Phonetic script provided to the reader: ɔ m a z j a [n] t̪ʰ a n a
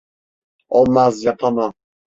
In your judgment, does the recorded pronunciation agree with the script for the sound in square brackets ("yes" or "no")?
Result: no